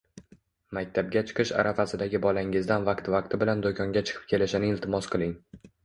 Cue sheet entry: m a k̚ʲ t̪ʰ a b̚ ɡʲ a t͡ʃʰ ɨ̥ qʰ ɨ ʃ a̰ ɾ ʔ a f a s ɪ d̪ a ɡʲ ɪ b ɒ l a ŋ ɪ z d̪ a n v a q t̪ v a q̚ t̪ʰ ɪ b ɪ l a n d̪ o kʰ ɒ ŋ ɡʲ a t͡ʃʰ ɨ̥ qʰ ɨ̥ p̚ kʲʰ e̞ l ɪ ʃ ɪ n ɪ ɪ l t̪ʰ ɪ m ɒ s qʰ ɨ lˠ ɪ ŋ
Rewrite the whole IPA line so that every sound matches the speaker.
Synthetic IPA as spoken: m a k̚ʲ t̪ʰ a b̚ ɡʲ a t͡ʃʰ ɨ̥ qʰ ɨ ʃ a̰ ɾ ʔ a f a s ɪ d̪ a ɡʲ ɪ b ɒ l a ŋ ɪ z d̪ a n v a q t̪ v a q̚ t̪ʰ ɪ b ɪ l a n d̪ o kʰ ɒ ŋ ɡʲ a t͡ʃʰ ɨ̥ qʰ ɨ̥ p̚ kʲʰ e̞ l ɪ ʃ ɪ n ɪ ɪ l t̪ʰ ɪ m ɒ s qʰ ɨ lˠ ɪ ŋ

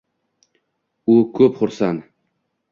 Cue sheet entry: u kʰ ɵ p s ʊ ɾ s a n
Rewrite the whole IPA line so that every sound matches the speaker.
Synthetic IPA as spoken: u kʰ ɵ p χ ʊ ɾ s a n

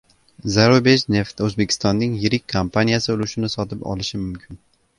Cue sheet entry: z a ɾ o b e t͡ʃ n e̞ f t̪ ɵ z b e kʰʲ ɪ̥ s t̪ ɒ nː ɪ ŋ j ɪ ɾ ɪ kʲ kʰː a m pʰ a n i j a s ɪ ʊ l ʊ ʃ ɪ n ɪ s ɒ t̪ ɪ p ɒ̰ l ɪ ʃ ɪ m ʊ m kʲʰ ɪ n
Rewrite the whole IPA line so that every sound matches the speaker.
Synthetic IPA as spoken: z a ɾ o b e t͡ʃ n e̞ f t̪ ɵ z b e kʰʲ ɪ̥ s t̪ ɒ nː ɪ ŋ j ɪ ɾ ɪ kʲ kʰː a m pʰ a n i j a s ɪ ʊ l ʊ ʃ ɪ n ɪ s ɒ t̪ ɪ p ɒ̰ l ɪ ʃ ɪ m ʊ m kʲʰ ɪ n

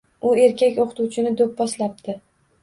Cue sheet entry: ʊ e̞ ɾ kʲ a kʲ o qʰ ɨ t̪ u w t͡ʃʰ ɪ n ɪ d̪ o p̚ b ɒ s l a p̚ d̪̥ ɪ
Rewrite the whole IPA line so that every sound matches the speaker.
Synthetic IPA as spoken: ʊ e̞ ɾ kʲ a kʲ o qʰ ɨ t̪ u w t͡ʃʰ ɪ n ɪ d̪ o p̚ b ɒ s l a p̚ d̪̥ ɪ

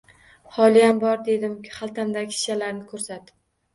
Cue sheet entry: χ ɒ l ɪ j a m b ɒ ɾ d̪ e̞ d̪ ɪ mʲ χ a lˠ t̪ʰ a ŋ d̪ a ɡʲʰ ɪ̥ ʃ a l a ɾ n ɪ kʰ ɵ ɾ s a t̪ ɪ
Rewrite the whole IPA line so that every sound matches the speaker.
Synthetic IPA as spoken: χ ɒ l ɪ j a m b ɒ ɾ d̪ e̞ d̪ ɪ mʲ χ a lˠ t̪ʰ a m d̪ a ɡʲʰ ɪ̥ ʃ a l a ɾ n ɪ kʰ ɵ ɾ s a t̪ ɪ

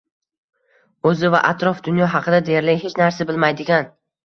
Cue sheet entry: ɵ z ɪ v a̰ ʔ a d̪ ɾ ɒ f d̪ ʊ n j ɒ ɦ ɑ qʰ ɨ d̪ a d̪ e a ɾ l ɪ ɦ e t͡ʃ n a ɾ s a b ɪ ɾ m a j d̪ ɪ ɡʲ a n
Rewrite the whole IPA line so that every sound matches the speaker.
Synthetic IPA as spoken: ɵ z ɪ v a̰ ʔ a t̪ ɾ ɒ f d̪ ʊ n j ɒ ɦ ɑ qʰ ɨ d̪ a d̪ e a ɾ l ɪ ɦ e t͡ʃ n a ɾ s a b ɪ l m a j d̪ ɪ ɡʲ a n

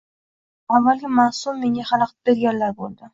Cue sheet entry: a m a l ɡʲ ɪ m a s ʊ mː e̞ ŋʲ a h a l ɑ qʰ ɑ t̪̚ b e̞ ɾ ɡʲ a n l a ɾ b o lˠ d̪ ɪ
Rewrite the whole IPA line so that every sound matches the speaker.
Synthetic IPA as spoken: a m a l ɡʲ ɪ m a s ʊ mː e̞ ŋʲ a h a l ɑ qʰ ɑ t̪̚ b e̞ ɾ ɡʲ a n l a ɾ b o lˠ d̪ ɪ

